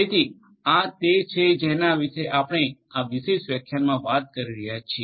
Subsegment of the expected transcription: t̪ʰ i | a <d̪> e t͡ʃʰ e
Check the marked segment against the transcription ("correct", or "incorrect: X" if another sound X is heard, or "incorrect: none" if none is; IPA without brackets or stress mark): incorrect: t̪